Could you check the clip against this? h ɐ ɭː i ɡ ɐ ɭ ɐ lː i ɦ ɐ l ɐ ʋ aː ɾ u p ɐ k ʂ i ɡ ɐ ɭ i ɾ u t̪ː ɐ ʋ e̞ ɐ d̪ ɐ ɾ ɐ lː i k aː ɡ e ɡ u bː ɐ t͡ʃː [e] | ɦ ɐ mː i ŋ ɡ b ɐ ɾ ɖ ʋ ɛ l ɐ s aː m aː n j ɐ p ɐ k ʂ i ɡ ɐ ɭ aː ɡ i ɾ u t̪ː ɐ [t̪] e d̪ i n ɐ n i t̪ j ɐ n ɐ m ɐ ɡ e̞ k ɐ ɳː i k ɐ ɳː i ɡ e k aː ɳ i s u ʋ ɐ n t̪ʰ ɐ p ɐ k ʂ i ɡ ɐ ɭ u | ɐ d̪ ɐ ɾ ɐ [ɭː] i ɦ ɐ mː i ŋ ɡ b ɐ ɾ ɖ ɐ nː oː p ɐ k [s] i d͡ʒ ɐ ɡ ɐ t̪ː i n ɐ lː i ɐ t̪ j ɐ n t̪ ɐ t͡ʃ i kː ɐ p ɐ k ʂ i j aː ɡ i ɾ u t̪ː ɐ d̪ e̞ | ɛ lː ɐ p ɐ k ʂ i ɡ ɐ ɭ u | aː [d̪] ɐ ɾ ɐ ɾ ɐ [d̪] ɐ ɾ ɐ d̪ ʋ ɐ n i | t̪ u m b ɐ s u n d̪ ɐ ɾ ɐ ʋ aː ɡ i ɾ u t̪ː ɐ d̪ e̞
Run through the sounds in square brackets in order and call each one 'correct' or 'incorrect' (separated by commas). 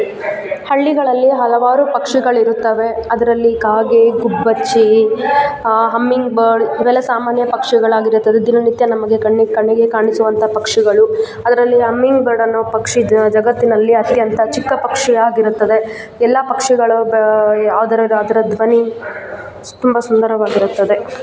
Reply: incorrect, incorrect, incorrect, incorrect, correct, correct